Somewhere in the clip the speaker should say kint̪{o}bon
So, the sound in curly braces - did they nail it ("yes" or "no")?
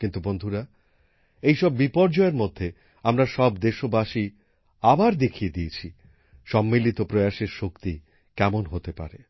no